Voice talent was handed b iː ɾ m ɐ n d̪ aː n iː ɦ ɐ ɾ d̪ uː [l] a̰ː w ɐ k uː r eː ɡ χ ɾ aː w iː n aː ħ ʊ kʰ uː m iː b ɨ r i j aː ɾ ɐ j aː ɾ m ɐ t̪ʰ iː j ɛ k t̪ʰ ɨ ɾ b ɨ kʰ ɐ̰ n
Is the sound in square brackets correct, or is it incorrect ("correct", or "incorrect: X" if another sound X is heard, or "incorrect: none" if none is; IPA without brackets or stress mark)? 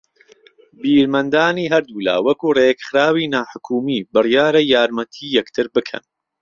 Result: correct